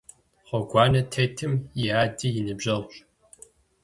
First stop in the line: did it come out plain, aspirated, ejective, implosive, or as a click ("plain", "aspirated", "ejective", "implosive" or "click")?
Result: plain